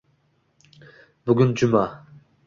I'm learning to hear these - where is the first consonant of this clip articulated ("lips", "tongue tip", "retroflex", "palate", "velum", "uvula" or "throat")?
lips